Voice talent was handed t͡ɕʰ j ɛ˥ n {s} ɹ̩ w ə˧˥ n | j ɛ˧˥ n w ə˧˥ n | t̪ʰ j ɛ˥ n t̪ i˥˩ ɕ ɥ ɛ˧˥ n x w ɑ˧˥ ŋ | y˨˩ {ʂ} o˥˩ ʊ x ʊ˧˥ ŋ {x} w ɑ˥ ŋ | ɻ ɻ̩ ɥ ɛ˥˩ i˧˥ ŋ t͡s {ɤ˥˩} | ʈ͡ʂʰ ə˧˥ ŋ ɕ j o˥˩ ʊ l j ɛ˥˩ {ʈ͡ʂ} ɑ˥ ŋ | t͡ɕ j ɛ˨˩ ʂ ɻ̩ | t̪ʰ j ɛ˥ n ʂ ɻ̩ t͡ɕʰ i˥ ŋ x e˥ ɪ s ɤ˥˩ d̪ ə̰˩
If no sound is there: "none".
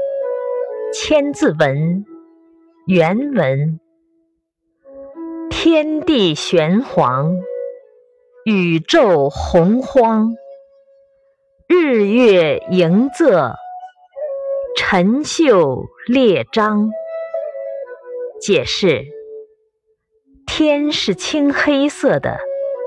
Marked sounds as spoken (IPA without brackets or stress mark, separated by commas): t͡s, ʈ͡ʂ, x, ɤ˥˩, ʈ͡ʂ